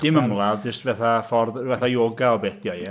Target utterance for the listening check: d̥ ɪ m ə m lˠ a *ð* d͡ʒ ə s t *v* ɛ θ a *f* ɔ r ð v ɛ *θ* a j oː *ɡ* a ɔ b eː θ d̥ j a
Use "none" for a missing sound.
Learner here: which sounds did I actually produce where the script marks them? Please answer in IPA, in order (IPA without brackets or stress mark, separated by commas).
ð, v, f, θ, ɡ